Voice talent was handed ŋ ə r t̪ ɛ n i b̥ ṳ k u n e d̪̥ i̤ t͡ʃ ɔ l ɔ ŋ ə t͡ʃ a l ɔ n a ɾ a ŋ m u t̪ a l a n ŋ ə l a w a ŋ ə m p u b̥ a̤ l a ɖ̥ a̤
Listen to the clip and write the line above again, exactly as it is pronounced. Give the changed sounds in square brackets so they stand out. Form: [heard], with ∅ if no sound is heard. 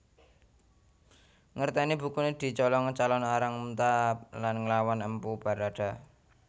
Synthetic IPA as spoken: ŋ ə r t̪ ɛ n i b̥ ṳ k u n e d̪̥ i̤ t͡ʃ ɔ l ɔ ŋ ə t͡ʃ a l ɔ n a ɾ a ŋ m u t̪ a l a n ŋ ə l a w a [n] ə m p u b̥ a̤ [ɾ] a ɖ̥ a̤

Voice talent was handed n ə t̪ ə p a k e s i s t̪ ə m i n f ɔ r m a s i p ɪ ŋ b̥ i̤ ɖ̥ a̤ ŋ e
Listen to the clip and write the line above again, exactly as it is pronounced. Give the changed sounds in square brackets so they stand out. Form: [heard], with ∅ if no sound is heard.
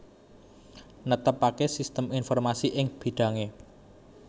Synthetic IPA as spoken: n ə t̪ ə p a k e s i s t̪ ə m i n f ɔ r m a s i [ʔ] ɪ ŋ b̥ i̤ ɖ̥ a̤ ŋ e

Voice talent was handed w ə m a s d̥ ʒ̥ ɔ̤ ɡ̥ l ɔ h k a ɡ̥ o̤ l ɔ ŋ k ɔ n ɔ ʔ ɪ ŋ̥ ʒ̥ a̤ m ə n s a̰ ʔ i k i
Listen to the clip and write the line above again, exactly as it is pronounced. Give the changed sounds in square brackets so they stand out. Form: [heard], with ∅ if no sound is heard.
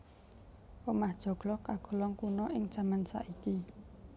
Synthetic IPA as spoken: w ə m a [h] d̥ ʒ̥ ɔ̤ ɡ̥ l ɔ h k a ɡ̥ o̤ l ɔ ŋ k [u] n ɔ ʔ ɪ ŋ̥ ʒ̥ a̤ m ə n s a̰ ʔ i k i

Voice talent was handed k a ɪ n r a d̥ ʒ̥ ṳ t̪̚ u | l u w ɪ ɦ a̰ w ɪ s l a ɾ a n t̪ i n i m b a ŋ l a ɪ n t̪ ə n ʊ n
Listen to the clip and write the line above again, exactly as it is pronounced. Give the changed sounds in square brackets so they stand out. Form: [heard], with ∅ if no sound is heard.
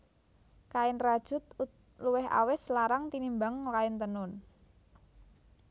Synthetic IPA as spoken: k a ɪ n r a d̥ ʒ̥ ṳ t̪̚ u | l u w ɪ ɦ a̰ w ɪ s l a ɾ a [ŋ] t̪ i n i m b a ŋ l a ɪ n t̪ ə n ʊ n

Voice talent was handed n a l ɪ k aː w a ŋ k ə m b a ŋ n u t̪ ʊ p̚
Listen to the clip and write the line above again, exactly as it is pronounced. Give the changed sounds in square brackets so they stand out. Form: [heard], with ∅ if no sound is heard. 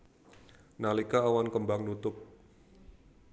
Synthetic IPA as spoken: n a l [i] k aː w a [n] k ə m b a ŋ n u t̪ ʊ p̚

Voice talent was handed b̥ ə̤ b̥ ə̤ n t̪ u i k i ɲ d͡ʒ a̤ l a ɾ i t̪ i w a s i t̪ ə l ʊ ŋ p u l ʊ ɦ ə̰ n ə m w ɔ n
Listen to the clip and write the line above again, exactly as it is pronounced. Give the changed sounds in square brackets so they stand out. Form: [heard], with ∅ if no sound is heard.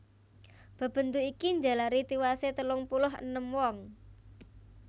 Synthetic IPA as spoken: b̥ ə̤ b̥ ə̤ n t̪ u i k i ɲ d͡ʒ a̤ l a ɾ i t̪ i w a s [e] t̪ ə l ʊ ŋ p u l ʊ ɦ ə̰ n ə m w ɔ [ŋ]

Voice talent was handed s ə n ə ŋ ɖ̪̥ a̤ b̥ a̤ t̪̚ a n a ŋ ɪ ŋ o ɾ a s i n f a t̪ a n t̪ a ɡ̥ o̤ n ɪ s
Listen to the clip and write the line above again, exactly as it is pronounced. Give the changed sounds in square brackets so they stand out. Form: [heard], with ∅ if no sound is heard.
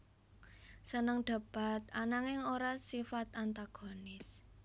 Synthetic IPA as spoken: s ə n ə ŋ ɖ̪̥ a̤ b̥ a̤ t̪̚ a n a ŋ ɪ ŋ o ɾ a s i [∅] f a t̪ a n t̪ a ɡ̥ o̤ n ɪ s

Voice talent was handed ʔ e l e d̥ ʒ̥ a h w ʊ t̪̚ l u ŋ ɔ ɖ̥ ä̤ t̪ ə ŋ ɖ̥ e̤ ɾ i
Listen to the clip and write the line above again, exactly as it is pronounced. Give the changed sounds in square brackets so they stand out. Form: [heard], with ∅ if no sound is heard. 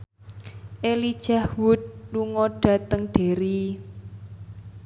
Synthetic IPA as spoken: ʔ e l [i] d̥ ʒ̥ a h w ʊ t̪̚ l u ŋ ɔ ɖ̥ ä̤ t̪ ə ŋ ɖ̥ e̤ ɾ i

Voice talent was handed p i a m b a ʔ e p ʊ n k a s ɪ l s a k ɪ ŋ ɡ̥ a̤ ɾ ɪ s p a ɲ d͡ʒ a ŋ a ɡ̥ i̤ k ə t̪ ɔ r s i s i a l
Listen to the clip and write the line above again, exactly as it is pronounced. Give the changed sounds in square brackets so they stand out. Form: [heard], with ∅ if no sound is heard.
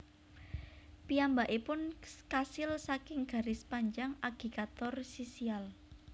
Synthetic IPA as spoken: p i a m b a ʔ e p ʊ n k a s ɪ l s a k ɪ ŋ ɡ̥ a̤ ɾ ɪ s p a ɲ d͡ʒ a ŋ a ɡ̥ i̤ k [a] t̪ ɔ r s i s i a l

